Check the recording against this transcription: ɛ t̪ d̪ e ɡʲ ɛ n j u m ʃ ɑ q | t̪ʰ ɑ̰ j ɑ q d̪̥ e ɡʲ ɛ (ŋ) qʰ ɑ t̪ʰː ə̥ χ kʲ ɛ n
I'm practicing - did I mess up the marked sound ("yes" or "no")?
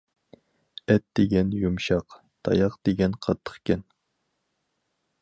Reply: yes